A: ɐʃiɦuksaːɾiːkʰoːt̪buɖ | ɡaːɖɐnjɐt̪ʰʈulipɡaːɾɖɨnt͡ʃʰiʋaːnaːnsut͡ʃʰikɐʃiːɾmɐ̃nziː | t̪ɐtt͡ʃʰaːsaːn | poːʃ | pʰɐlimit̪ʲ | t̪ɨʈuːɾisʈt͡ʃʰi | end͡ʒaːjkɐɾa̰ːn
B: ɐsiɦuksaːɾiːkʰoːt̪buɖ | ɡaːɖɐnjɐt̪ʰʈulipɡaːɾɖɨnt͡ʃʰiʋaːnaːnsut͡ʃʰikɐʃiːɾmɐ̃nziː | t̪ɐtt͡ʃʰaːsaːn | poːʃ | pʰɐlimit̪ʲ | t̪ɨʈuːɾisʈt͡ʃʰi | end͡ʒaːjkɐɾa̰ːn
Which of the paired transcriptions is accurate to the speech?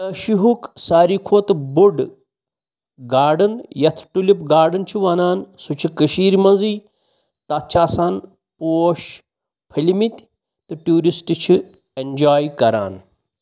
A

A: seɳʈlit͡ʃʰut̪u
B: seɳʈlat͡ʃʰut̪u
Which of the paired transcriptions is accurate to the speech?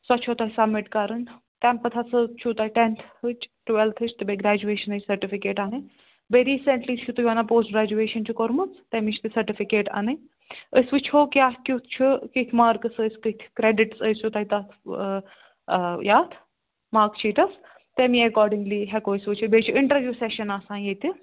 A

